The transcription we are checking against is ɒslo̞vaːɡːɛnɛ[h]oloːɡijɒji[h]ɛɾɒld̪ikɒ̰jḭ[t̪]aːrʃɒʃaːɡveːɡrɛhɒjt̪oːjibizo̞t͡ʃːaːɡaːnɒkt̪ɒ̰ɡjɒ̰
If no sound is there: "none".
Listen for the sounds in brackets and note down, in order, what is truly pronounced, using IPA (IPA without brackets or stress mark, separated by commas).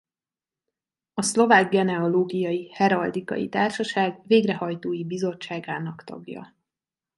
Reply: none, h, t̪